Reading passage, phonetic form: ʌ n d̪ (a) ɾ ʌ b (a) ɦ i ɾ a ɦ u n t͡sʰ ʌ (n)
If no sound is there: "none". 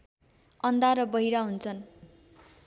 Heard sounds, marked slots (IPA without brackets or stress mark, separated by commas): a, ʌ, n